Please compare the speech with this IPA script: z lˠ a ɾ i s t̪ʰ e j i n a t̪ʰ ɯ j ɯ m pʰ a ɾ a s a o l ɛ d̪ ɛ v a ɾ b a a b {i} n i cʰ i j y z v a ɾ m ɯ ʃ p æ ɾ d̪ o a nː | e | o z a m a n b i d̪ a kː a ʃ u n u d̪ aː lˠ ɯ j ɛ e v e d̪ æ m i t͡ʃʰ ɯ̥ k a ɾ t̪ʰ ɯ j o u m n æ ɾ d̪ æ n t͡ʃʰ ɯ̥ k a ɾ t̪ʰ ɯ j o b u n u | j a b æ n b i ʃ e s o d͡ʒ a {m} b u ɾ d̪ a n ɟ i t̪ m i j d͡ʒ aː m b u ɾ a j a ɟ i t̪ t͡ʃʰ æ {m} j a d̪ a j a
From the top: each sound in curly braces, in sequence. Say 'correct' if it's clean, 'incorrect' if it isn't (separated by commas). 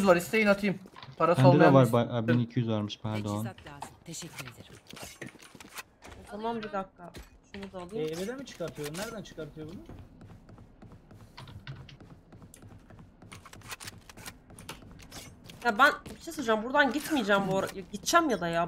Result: correct, correct, correct